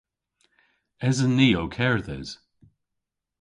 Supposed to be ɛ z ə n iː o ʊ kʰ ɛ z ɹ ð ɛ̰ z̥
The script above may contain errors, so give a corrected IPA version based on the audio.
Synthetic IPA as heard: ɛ z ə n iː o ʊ kʰ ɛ ɹ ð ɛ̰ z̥